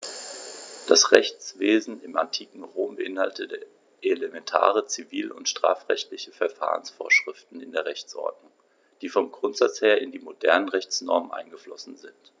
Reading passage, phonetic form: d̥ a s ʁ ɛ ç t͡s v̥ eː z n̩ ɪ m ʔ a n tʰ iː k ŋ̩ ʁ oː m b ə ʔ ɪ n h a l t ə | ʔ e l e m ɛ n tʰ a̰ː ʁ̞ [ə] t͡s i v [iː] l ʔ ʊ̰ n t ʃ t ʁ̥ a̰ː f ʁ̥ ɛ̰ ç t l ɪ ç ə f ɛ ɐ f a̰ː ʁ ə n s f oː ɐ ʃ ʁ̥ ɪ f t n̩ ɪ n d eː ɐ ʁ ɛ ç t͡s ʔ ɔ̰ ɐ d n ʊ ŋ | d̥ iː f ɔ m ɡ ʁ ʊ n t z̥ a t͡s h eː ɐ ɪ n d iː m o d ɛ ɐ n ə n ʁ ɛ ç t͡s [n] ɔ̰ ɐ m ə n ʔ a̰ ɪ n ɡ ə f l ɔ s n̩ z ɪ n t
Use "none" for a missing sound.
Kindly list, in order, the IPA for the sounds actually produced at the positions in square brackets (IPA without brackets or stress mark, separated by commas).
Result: ə, iː, n